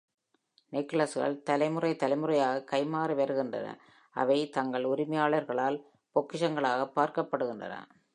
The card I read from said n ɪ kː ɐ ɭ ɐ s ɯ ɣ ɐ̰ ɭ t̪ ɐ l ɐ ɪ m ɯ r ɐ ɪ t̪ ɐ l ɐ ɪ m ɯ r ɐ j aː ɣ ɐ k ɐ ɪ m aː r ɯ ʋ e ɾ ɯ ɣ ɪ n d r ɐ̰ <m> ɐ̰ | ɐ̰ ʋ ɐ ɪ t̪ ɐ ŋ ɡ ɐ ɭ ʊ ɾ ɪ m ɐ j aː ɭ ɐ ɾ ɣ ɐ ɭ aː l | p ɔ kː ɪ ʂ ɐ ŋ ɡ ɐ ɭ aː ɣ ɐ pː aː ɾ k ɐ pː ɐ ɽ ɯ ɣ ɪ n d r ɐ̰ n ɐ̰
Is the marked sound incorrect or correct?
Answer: incorrect